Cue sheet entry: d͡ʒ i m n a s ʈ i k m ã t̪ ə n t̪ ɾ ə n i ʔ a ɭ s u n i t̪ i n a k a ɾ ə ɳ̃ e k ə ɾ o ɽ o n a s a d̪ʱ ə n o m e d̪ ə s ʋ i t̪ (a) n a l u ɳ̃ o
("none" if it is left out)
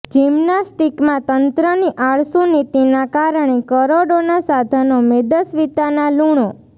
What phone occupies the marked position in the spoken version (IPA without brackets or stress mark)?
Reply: a